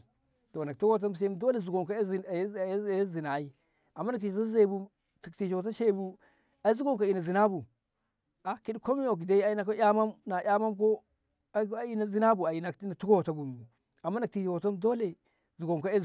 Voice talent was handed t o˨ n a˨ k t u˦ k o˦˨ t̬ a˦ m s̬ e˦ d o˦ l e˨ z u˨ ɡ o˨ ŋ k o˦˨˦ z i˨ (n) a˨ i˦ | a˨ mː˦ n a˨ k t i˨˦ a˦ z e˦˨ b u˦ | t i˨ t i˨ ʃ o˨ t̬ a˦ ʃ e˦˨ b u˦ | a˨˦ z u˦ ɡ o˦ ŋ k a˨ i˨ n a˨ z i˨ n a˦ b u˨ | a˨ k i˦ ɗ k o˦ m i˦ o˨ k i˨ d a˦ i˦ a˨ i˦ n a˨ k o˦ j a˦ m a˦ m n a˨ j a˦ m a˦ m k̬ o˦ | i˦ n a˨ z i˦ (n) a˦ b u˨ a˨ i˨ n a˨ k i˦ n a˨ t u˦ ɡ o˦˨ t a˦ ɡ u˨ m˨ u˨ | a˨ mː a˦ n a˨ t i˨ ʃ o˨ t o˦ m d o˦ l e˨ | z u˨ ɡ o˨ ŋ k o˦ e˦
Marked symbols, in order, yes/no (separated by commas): yes, yes